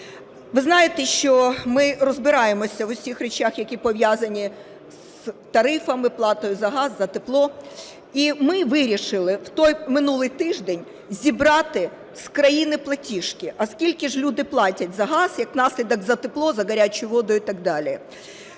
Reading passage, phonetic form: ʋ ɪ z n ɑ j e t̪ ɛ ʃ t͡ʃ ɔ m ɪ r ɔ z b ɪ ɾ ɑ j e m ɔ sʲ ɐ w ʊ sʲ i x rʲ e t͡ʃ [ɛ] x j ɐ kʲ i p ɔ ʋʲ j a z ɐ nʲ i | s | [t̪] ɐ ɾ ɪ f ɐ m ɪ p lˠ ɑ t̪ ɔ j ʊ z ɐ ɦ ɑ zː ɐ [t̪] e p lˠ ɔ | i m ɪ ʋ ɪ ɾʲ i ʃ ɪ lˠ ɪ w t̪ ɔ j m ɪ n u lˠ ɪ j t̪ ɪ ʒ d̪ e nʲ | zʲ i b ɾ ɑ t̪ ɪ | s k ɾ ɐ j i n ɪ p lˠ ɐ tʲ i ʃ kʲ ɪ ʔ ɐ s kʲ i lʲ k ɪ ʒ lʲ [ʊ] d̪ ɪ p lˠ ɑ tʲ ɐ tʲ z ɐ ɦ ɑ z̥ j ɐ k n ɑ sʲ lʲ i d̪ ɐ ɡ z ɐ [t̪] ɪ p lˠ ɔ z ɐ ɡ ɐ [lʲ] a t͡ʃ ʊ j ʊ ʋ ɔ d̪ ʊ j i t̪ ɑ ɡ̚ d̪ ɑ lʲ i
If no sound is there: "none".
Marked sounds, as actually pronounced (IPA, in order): a, t̪, t̪, u, t̪, ɾʲ

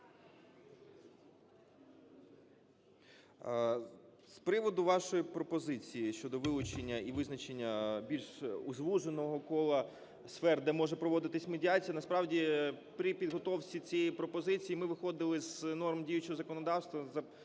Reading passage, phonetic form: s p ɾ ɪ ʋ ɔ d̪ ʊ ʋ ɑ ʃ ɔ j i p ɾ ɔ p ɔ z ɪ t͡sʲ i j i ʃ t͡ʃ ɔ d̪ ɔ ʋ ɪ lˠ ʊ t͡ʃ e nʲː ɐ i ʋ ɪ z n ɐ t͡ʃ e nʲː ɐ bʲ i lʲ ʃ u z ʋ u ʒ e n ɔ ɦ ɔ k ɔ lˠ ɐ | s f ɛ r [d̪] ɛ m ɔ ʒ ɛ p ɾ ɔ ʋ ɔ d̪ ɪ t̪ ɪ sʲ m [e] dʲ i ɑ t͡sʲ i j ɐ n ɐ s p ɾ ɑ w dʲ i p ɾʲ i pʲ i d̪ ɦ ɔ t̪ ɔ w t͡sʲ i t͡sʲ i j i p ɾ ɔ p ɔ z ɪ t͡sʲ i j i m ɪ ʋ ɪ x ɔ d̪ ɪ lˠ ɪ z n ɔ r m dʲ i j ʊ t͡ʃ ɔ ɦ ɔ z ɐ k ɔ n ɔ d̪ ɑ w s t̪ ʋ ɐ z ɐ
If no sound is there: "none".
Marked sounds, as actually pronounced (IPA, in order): d̪, e

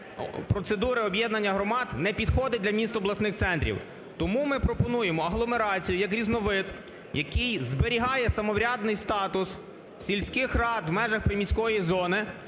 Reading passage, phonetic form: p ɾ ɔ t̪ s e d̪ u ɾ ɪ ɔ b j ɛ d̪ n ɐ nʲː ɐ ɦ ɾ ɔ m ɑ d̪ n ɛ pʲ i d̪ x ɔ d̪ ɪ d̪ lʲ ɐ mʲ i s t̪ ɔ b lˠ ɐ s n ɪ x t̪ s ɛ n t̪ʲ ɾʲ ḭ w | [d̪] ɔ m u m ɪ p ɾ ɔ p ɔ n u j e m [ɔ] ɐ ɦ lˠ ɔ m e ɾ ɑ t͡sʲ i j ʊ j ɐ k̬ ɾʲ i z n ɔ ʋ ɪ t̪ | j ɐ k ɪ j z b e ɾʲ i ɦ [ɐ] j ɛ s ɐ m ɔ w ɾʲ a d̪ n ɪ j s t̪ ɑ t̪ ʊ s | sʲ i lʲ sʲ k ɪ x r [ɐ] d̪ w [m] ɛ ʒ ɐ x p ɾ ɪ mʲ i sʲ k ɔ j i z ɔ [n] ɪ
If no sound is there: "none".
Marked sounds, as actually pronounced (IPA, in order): t̪, ɔ, ɑ, ɑ, m, n

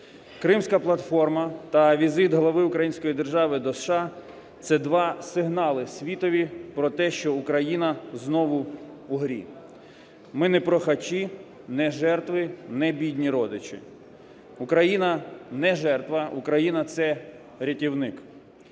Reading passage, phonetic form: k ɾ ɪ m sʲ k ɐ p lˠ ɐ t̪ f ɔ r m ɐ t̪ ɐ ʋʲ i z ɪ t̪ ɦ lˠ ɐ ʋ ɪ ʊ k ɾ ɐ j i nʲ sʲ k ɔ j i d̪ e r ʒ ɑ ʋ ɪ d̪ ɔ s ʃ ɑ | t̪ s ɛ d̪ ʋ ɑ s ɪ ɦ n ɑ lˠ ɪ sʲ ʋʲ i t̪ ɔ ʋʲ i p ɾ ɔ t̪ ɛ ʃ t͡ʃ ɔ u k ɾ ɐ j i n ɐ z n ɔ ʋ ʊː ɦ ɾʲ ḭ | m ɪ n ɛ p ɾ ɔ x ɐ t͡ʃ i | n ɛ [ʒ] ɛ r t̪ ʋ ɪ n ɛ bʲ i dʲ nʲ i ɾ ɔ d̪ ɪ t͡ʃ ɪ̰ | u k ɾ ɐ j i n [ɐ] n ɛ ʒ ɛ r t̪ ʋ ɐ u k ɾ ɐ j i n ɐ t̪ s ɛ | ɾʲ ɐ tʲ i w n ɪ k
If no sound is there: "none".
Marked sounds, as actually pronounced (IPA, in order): ʒ, ɐ

